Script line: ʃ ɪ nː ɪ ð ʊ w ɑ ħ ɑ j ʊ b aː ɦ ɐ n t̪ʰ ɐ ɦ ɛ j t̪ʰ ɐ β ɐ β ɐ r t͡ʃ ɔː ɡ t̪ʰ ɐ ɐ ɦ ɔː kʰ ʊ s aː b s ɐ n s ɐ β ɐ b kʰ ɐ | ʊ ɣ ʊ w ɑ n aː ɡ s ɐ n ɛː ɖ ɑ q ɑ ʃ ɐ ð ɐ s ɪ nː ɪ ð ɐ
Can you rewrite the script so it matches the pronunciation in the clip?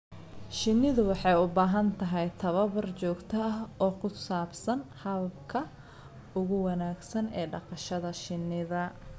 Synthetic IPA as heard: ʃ ɪ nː ɪ ð ʊ w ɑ ħ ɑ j ʊ b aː ɦ ɐ n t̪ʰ ɐ ɦ ɛ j t̪ʰ ɐ β ɐ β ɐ r t͡ʃ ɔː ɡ t̪ʰ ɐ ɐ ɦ ɔː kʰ ʊ s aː b s ɐ n h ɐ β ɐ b kʰ ɐ | ʊ ɣ ʊ w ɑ n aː ɡ s ɐ n ɛː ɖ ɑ q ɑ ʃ ɐ ð ɐ ʃ ɪ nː ɪ ð ɐ